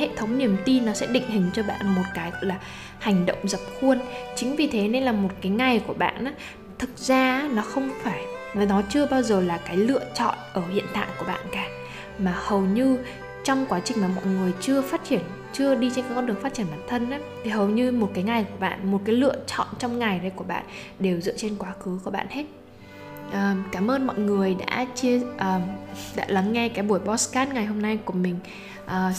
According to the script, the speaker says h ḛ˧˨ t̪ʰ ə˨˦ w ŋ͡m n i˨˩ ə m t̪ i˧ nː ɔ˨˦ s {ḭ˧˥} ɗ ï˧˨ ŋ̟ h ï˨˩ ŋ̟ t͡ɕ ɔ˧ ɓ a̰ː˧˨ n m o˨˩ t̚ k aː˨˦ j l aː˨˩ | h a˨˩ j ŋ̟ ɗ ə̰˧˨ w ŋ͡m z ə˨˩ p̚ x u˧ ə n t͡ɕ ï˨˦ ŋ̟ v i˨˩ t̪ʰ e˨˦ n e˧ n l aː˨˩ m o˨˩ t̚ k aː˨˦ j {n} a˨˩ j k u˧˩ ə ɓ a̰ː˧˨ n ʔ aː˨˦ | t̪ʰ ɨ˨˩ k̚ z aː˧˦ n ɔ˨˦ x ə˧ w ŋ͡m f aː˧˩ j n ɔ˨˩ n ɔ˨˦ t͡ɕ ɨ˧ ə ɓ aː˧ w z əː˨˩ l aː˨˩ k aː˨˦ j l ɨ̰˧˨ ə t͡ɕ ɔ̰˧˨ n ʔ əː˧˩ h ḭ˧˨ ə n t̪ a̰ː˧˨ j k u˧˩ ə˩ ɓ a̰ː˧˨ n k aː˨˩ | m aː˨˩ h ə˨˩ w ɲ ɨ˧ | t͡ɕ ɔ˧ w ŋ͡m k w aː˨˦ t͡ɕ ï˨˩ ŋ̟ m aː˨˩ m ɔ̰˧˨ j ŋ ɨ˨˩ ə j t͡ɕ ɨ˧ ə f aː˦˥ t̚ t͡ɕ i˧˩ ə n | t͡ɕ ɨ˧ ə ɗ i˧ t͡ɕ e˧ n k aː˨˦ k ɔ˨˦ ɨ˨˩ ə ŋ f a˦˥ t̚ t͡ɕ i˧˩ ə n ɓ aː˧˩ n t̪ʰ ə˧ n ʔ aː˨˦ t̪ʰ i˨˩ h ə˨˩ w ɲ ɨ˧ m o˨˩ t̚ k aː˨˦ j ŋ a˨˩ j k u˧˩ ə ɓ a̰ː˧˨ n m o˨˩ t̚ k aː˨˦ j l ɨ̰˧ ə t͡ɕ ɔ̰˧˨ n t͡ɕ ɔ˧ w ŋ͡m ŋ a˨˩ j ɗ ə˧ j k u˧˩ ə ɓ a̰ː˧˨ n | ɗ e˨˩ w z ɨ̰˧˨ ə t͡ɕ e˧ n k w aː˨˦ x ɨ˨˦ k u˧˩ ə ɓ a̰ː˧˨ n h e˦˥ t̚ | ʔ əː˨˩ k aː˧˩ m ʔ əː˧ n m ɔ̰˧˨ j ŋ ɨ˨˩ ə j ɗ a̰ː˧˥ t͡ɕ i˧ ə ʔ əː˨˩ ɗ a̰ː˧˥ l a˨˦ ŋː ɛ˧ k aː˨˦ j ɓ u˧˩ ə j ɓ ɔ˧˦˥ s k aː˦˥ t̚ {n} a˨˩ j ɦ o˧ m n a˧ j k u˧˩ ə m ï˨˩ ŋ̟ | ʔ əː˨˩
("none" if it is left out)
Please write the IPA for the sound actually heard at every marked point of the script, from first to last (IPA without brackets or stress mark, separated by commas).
ɛ̰˧˥, ŋ, ŋ